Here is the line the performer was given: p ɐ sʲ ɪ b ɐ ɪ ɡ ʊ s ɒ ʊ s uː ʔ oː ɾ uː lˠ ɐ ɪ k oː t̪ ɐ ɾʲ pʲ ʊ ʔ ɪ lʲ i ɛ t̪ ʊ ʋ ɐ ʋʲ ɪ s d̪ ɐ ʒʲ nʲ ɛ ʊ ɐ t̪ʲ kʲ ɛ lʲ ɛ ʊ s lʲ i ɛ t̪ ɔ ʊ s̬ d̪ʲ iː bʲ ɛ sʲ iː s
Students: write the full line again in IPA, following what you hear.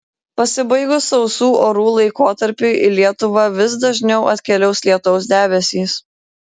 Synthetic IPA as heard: p ɐ sʲ ɪ b ɐ ɪ ɡ ʊ s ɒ ʊ s uː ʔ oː ɾ uː lˠ ɐ ɪ k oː t̪ ɐ ɾʲ pʲ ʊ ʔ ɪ lʲ i ɛ t̪ ʊ ʋ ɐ ʋʲ ɪ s d̪ ɐ ʒʲ nʲ ɛ ʊ ɐ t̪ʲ kʲ ɛ lʲ ɛ ʊ s lʲ i ɛ t̪ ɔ ʊ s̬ d̪ʲ æː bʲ ɛ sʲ iː s

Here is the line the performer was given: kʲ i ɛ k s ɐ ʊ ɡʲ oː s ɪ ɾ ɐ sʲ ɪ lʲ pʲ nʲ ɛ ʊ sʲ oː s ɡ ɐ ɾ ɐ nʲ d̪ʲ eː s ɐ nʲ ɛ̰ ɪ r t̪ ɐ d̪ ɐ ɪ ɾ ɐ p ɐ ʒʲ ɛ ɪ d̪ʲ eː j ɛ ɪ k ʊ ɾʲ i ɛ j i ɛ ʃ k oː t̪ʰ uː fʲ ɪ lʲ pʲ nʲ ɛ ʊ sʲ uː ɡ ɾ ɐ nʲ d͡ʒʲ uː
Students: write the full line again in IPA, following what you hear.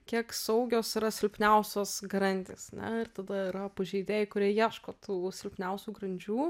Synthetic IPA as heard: kʲ i ɛ k s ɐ ʊ ɡʲ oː s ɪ ɾ ɐ sʲ ɪ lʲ pʲ nʲ ɛ ʊ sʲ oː s ɡ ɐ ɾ ɐ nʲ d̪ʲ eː s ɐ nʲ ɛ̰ ɪ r t̪ ɐ d̪ ɐ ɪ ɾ ɐ p ɐ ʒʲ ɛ ɪ d̪ʲ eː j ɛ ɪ k ʊ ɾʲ i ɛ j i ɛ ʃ k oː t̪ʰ uː sʲ ɪ lʲ pʲ nʲ ɛ ʊ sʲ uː ɡ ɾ ɐ nʲ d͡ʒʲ uː

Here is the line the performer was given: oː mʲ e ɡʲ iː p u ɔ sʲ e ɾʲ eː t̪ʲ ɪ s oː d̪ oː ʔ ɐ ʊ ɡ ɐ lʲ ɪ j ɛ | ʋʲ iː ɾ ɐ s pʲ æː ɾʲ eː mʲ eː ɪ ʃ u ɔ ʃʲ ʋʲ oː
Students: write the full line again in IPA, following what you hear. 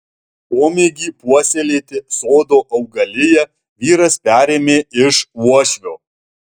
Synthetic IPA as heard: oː mʲ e ɡʲ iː p u ɔ sʲ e lʲ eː t̪ʲ ɪ s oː d̪ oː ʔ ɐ ʊ ɡ ɐ lʲ ɪ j ɛ | ʋʲ iː ɾ ɐ s pʲ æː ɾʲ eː mʲ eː ɪ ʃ u ɔ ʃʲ ʋʲ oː

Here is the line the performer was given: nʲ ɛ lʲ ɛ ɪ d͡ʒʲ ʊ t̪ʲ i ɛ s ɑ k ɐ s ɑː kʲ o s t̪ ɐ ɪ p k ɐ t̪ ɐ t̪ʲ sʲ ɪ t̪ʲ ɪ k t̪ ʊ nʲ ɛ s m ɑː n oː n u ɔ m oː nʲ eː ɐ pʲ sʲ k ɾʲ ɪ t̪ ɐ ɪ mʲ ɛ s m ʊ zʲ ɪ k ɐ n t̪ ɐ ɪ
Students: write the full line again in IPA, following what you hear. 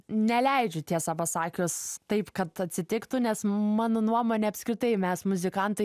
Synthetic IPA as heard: nʲ ɛ lʲ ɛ ɪ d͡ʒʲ ʊ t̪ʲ i ɛ s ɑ p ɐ s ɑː kʲ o s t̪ ɐ ɪ p k ɐ t̪ ɐ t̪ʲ sʲ ɪ t̪ʲ ɪ k t̪ ʊ nʲ ɛ s m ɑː n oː n u ɔ m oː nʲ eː ɐ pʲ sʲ k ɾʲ ɪ t̪ ɐ ɪ mʲ ɛ s m ʊ zʲ ɪ k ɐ n t̪ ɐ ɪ

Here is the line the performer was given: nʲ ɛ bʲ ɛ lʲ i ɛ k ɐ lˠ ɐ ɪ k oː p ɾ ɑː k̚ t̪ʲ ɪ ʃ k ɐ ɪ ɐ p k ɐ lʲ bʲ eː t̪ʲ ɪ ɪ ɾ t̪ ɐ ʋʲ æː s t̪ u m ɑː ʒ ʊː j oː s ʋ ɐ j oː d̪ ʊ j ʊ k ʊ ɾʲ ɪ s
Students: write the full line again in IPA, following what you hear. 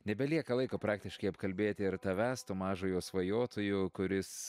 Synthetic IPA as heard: nʲ ɛ bʲ ɛ lʲ i ɛ k ɐ lˠ ɐ ɪ k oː p ɾ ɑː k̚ t̪ʲ ɪ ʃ k ɐ ɪ ɐ p k ɐ lʲ bʲ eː t̪ʲ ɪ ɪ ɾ t̪ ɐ ʋʲ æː s t̪ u m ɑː ʒ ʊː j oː s ʋ ɐ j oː t̪ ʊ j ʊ k ʊ ɾʲ ɪ s

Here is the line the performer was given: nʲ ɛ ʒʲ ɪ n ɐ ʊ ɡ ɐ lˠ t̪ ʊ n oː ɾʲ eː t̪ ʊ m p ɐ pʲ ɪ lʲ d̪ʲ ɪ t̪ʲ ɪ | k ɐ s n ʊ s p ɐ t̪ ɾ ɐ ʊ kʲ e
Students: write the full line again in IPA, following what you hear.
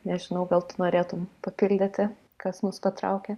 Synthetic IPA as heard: nʲ ɛ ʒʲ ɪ n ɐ ʊ ɡ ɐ lˠ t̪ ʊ n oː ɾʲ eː t̪ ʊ m p ɐ pʲ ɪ lʲ d̪ʲ ɪ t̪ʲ ɪ | k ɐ s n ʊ s p ɐ t̪ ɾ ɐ ʊ kʲ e

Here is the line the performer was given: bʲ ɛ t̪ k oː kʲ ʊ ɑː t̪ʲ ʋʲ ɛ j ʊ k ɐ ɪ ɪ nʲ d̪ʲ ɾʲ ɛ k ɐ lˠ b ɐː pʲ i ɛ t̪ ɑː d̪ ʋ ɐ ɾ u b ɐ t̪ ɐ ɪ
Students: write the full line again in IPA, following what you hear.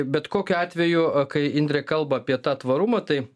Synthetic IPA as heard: bʲ ɛ t̪ k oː kʲ ʊ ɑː t̪ʲ ʋʲ ɛ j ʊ k ɐ ɪ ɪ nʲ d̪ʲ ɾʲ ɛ k ɐ lˠ b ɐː pʲ i ɛ t̪ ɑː t̪ ʋ ɐ ɾ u m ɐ t̪ ɐ ɪ

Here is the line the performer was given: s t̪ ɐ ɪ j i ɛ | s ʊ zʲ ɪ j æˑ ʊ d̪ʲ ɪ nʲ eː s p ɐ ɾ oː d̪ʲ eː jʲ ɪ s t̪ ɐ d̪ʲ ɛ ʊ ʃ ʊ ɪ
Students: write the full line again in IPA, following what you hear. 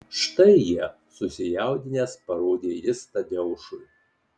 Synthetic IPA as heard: ʃ t̪ ɐ ɪ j i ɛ | s ʊ sʲ ɪ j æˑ ʊ d̪ʲ ɪ nʲ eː s p ɐ ɾ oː d̪ʲ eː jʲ ɪ s t̪ ɐ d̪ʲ ɛ ʊ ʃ ʊ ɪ

